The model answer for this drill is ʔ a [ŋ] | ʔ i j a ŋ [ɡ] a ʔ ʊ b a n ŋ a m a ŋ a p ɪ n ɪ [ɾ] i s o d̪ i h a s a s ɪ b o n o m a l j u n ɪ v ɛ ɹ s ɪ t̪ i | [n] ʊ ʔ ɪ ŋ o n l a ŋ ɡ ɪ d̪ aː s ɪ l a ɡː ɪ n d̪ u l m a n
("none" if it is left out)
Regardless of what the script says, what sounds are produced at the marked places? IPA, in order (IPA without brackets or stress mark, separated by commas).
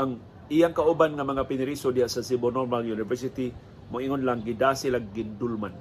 ŋ, k, ɾ, m